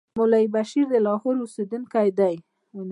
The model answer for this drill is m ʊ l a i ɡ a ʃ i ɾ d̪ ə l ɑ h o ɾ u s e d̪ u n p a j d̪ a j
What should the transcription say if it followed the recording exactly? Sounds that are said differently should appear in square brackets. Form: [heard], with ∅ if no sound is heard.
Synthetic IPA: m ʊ l a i [b] a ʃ i ɾ d̪ ə l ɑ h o ɾ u s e d̪ u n [k] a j d̪ a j